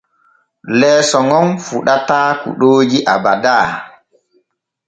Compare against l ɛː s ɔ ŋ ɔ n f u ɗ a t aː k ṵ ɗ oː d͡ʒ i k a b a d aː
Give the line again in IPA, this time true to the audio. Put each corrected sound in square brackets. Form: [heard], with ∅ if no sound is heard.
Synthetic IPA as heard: l ɛː s ɔ ŋ ɔ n f u ɗ a t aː k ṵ ɗ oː d͡ʒ i [ʔ] a b a d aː